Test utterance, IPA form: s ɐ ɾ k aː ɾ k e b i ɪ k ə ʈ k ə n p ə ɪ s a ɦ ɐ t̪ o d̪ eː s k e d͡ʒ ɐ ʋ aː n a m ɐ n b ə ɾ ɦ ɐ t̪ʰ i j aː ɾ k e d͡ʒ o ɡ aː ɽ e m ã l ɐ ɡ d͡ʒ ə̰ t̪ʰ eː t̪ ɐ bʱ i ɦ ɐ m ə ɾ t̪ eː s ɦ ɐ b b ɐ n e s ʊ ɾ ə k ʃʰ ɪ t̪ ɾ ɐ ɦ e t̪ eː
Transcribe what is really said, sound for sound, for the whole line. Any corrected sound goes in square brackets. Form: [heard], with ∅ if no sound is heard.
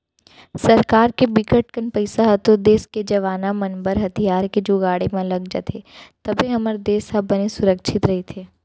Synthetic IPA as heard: s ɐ ɾ k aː ɾ k e b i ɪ k ə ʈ k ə n p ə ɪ s a ɦ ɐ t̪ o d̪ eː s k e d͡ʒ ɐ ʋ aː n a m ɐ n b ə ɾ ɦ ɐ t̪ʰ i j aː ɾ k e d͡ʒ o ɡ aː ɽ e m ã l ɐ ɡ d͡ʒ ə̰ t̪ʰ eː t̪ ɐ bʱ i ɦ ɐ m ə ɾ [d̪] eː s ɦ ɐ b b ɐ n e s ʊ ɾ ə k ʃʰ ɪ t̪ ɾ ɐ ɦ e [t̪ʰ] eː